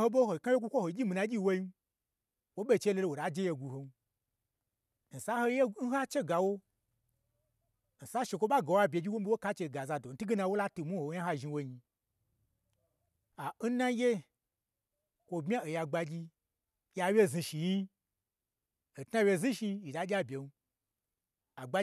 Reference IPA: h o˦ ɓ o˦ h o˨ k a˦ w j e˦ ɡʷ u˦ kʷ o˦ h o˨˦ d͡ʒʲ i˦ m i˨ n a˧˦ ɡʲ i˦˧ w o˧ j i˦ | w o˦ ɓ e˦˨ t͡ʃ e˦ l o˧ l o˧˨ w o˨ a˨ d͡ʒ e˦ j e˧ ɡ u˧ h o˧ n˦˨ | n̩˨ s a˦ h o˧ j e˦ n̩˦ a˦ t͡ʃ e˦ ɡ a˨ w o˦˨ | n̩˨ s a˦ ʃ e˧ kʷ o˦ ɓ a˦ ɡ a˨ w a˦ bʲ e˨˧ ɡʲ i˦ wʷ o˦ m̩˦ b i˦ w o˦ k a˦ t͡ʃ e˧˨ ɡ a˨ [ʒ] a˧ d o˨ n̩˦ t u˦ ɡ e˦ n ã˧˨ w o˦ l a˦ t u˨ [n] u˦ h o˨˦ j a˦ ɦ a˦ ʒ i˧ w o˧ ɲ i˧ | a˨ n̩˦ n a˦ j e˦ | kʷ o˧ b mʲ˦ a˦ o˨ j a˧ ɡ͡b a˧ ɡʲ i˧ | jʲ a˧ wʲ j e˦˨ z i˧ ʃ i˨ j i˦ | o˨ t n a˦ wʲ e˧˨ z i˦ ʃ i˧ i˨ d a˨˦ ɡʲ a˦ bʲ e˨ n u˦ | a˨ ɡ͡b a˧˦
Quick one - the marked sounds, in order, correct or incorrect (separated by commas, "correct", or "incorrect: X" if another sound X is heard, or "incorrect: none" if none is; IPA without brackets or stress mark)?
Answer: incorrect: z, incorrect: m